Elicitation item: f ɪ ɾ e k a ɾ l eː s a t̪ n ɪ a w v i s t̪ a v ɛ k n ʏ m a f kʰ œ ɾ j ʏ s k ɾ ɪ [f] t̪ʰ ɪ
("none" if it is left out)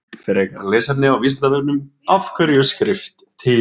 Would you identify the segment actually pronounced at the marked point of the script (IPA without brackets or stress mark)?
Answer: f